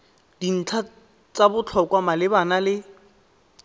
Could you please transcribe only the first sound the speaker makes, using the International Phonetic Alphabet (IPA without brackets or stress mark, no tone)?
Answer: d